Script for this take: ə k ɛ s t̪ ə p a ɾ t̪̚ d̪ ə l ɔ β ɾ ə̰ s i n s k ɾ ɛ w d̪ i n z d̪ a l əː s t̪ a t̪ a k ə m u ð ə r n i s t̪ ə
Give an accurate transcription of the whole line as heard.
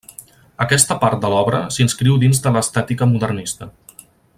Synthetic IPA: ə k ɛ s t̪ ə p a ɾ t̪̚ d̪ ə l ɔ β ɾ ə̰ s i n s k ɾ i w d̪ i n z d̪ ə l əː s t̪ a t̪ i k ə m u ð ə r n i s t̪ ə